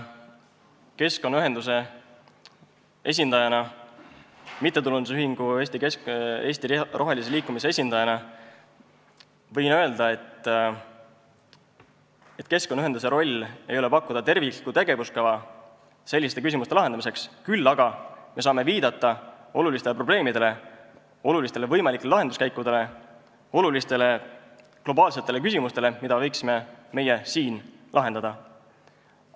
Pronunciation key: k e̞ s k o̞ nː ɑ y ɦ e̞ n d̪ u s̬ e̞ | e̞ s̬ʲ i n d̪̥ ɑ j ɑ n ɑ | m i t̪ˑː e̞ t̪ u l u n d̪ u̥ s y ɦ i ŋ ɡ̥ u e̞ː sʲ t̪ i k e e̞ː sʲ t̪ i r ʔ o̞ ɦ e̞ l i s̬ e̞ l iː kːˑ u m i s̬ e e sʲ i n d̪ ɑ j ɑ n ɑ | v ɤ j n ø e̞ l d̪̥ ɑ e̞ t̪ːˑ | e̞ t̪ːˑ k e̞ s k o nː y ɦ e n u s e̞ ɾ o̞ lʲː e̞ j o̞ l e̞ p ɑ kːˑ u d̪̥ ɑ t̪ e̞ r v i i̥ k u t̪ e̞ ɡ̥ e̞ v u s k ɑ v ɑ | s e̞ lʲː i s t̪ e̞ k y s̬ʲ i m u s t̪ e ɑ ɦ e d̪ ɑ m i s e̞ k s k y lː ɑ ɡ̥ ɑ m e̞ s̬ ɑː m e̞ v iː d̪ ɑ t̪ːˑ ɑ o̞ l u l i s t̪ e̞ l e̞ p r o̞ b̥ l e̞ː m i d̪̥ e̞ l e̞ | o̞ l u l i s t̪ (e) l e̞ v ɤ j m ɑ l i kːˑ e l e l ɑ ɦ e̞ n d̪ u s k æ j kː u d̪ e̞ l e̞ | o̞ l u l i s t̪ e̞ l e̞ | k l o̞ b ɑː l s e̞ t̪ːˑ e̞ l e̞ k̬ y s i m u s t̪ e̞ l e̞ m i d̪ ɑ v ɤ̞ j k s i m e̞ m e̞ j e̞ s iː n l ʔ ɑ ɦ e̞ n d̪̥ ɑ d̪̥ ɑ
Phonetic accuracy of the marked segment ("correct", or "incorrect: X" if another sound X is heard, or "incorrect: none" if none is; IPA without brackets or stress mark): correct